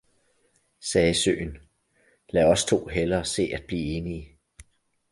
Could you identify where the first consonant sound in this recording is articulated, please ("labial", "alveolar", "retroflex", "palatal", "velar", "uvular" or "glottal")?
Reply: alveolar